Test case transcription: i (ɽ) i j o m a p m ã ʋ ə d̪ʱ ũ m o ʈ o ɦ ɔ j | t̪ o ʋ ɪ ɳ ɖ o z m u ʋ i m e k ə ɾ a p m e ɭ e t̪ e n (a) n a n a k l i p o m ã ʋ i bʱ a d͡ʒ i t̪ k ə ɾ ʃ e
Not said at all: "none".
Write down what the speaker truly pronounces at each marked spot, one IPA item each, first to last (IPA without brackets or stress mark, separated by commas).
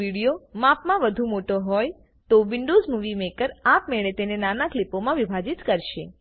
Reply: ɽ, e